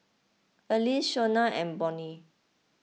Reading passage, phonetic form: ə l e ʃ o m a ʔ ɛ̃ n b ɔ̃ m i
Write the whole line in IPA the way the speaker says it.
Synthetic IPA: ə l i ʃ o n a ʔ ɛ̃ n b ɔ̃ n i